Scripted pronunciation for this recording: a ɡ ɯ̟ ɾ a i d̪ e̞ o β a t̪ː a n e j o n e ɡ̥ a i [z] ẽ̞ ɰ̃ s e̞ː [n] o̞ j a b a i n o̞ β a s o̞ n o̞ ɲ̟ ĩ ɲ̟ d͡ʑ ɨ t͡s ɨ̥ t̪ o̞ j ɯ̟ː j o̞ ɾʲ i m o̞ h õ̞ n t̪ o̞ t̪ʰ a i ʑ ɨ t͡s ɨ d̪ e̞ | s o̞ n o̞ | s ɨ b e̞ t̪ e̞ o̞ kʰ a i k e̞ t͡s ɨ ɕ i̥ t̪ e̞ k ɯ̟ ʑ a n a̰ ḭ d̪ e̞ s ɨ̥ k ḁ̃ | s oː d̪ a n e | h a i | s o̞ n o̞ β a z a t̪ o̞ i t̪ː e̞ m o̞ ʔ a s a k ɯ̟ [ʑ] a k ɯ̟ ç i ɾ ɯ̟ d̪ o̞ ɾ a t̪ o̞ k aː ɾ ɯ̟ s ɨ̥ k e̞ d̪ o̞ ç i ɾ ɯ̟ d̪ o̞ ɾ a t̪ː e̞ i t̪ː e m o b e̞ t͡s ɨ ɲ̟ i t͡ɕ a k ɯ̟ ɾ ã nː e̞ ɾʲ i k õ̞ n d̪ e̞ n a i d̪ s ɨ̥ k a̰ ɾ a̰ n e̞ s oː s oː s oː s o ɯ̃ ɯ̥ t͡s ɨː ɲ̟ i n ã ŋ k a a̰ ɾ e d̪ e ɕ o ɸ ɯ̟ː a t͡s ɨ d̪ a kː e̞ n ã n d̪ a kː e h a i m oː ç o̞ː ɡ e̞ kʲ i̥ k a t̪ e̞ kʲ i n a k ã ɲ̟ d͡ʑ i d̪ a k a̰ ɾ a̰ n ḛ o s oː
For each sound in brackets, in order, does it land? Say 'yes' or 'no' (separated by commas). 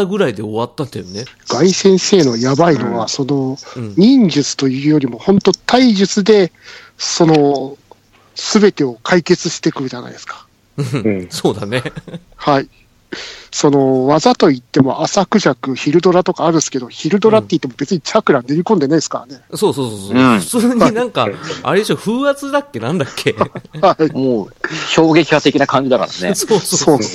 no, yes, yes